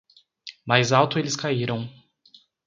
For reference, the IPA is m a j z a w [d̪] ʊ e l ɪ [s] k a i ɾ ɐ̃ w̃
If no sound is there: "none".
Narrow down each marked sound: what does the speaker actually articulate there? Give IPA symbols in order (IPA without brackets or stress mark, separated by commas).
t̪, s